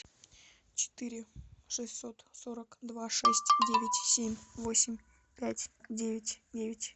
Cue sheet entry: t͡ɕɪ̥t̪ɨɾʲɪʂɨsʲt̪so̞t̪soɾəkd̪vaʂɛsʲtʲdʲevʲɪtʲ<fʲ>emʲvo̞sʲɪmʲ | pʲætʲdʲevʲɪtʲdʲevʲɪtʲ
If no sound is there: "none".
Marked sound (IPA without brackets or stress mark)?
sʲ